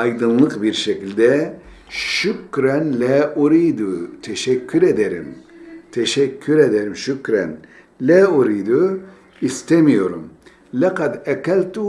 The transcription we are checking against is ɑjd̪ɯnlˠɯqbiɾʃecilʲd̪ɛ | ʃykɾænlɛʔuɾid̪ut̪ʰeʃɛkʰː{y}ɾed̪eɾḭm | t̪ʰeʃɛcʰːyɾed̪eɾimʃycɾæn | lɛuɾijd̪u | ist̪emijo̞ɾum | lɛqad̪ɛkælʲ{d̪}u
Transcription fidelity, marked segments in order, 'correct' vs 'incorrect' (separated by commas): correct, incorrect